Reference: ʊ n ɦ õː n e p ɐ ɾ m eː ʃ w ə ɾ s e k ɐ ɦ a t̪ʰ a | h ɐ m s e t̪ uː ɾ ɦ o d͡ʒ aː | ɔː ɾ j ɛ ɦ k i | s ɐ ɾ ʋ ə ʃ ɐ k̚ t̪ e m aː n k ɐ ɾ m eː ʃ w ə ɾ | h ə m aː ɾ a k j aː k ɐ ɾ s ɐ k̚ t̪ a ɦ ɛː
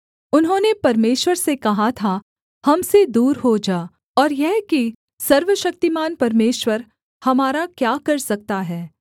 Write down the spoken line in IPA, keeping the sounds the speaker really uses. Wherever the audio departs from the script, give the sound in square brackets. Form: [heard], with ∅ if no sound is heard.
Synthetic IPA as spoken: ʊ n ɦ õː n e p ɐ ɾ m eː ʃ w ə ɾ s e k ɐ ɦ a t̪ʰ a | h ɐ m s e [d̪] uː ɾ ɦ o d͡ʒ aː | ɔː ɾ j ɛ ɦ k i | s ɐ ɾ ʋ ə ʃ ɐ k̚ t̪ [i] m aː n [p] ɐ ɾ m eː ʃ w ə ɾ | h [ɐ] m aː ɾ a k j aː k ɐ ɾ s ɐ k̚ t̪ a ɦ ɛː